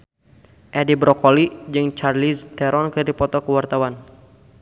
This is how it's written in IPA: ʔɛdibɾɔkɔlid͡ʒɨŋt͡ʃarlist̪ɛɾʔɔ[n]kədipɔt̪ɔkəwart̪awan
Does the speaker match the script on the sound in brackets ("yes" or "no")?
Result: yes